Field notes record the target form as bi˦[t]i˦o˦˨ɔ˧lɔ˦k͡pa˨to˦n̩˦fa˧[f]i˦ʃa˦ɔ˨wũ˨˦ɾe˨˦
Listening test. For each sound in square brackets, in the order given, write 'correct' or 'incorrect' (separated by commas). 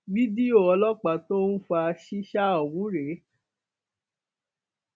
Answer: incorrect, incorrect